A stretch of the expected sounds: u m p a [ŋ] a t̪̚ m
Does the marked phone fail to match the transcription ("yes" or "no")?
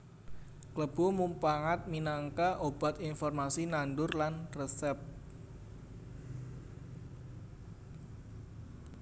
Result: no